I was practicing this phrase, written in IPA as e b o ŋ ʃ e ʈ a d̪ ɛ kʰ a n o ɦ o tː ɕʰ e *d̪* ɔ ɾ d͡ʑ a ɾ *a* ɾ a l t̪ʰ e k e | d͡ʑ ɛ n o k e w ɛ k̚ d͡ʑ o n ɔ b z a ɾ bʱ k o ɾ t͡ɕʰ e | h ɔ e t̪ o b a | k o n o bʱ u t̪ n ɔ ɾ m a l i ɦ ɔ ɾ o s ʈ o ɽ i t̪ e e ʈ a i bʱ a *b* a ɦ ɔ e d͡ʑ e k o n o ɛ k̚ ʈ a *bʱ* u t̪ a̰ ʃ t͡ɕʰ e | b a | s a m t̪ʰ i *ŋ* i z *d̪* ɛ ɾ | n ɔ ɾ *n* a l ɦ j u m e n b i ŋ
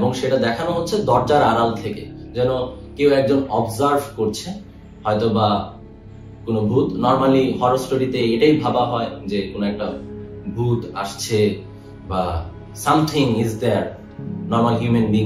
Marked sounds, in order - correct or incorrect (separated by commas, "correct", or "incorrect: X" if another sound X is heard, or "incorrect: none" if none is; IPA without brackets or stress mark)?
correct, correct, correct, correct, correct, correct, incorrect: m